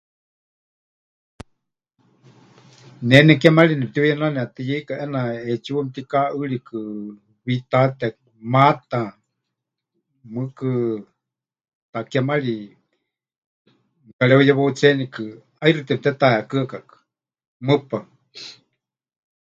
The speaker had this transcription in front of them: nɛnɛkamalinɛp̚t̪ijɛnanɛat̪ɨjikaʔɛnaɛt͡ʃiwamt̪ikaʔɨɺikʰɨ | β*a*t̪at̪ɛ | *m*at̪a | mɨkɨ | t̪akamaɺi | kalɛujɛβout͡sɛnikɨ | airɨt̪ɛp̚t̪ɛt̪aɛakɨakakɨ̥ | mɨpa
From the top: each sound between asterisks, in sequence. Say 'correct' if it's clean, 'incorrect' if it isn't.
incorrect, correct

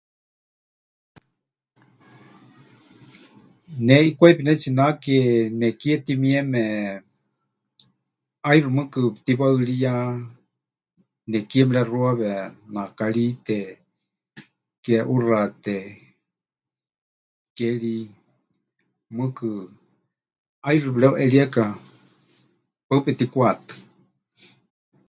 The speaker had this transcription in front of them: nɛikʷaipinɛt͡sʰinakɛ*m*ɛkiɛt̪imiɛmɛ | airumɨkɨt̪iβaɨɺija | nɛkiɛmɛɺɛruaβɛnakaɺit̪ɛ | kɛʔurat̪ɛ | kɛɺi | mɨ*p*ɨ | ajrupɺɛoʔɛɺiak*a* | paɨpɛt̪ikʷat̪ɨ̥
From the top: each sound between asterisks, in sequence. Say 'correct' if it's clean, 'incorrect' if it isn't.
incorrect, incorrect, correct

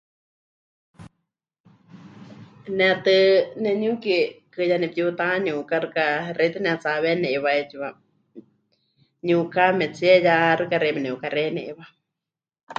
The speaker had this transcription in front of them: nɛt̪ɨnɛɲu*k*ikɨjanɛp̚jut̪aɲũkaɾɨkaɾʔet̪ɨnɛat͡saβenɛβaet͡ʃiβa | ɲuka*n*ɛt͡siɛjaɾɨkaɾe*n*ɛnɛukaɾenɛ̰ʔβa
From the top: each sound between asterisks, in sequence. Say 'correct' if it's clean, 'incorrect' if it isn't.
correct, incorrect, incorrect

